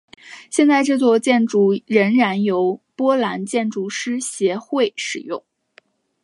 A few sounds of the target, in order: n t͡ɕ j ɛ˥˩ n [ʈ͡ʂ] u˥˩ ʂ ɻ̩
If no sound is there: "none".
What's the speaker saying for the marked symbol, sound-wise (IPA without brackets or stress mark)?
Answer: ʈ͡ʂ